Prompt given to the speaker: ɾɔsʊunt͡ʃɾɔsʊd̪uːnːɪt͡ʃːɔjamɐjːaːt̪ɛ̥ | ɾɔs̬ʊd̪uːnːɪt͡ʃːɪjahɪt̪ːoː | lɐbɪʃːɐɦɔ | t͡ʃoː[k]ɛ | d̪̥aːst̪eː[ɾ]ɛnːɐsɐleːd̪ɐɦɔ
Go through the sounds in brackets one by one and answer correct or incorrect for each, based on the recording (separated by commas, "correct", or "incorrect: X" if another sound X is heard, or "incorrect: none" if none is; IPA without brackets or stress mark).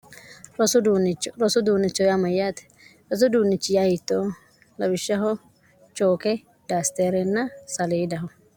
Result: correct, correct